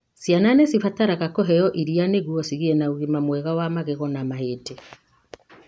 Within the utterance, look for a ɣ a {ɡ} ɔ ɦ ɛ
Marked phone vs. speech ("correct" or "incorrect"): incorrect